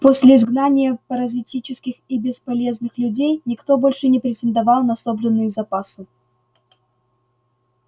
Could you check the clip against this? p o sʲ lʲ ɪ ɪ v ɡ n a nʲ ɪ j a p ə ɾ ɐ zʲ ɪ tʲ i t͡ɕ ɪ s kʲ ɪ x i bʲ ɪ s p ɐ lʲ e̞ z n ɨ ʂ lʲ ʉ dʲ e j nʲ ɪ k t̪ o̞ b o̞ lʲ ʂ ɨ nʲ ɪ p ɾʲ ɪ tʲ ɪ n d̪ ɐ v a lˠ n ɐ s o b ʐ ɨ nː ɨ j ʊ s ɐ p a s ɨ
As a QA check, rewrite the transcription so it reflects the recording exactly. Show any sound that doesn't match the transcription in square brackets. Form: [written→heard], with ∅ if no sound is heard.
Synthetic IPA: p o sʲ lʲ ɪ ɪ [v→z] ɡ n a nʲ ɪ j [a→ə] p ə ɾ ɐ zʲ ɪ tʲ i t͡ɕ ɪ s kʲ ɪ x i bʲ ɪ s p ɐ lʲ e̞ z n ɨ [ʂ→x] lʲ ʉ dʲ e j nʲ ɪ k t̪ o̞ b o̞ lʲ ʂ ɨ nʲ ɪ p ɾʲ ɪ tʲ ɪ n d̪ ɐ v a lˠ n ɐ s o b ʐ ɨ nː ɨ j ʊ [s→z] ɐ p a s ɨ